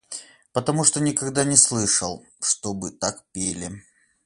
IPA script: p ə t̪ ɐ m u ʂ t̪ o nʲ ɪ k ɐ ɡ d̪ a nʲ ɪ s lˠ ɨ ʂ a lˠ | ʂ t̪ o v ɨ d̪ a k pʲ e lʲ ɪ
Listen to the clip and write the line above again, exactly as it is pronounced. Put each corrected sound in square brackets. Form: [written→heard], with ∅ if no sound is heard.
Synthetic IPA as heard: p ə t̪ ɐ m u ʂ t̪ o nʲ ɪ k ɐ ɡ d̪ a nʲ ɪ s lˠ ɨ ʂ [a→ə] lˠ | ʂ t̪ o [v→b] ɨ [d̪→t̪] a k pʲ e lʲ ɪ

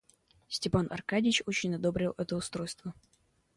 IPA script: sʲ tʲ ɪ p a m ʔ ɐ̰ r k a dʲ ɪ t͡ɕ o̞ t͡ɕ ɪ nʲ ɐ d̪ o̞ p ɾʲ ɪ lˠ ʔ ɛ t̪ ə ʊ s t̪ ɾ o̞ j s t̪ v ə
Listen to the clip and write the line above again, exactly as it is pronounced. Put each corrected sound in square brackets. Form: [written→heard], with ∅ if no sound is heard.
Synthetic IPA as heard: sʲ tʲ ɪ p a [m→n] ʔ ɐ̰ r k a dʲ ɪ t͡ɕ o̞ t͡ɕ ɪ nʲ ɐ d̪ o̞ [p→b] ɾʲ ɪ lˠ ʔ ɛ t̪ ə ʊ s t̪ ɾ o̞ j s t̪ v ə

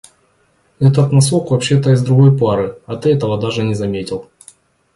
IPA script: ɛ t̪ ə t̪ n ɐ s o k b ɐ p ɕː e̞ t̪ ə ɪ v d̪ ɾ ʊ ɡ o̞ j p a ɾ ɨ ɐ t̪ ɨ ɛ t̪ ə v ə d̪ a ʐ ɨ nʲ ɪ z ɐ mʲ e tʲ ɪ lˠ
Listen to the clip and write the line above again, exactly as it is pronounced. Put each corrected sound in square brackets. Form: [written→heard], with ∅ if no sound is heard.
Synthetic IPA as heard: ɛ t̪ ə t̪ n ɐ s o k [b→v] ɐ p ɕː e̞ t̪ ə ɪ [v→z] d̪ ɾ ʊ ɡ o̞ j p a ɾ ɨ ɐ t̪ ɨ ɛ t̪ ə v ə d̪ a ʐ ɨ nʲ ɪ z ɐ mʲ e tʲ ɪ lˠ

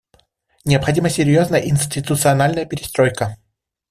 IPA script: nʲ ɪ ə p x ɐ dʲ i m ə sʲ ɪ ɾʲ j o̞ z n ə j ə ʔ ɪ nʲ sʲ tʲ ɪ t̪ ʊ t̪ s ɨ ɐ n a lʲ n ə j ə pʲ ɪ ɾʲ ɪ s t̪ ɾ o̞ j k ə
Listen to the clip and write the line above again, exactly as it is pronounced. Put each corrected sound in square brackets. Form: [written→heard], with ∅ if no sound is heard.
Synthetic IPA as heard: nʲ ɪ ə p x ɐ dʲ i m ə sʲ ɪ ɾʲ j o̞ z n ə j ə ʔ ɪ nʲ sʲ tʲ ɪ t̪ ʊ t̪ s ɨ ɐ n a lʲ n ə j ə pʲ ɪ ɾʲ ɪ s t̪ ɾ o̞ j k ə

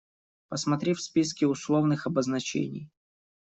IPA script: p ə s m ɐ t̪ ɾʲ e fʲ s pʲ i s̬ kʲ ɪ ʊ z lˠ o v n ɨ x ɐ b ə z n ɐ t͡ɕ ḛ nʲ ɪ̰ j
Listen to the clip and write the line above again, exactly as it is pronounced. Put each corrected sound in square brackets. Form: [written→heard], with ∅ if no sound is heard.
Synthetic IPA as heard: p ə s m ɐ t̪ ɾʲ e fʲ s pʲ i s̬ kʲ ɪ ʊ [z→s] lˠ o v n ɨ x ɐ b ə z n ɐ t͡ɕ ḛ nʲ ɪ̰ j

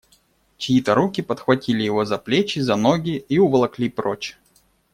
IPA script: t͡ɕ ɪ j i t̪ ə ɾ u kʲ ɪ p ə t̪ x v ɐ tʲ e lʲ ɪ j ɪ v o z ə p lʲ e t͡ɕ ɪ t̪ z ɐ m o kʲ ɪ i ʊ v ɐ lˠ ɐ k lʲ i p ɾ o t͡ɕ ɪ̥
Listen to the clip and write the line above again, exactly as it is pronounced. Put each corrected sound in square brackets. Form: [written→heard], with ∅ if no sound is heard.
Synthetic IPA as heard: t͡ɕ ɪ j i t̪ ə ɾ u kʲ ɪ p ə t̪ x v ɐ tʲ [e→i] lʲ ɪ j ɪ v o z [ə→ɐ] p lʲ e t͡ɕ ɪ [t̪→∅] z ɐ [m→n] o [kʲ→ɡʲ] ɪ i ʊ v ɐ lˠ ɐ k lʲ i p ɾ o t͡ɕ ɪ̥

